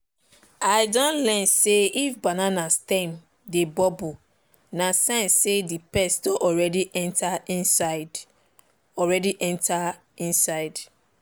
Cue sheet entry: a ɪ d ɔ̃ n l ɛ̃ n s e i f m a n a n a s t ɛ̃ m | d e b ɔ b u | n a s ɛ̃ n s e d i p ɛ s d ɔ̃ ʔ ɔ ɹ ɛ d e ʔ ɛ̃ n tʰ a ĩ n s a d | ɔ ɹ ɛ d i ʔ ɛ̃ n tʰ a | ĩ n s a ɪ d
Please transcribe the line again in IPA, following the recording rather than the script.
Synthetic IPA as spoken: a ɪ d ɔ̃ n l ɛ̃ n s e i f b a n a n a s t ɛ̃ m | d e b ɔ b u | n a s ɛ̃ n s e d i p ɛ s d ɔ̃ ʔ ɔ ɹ ɛ d i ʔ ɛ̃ n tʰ a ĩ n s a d | ɔ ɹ ɛ d i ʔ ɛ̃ n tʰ a | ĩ n s a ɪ d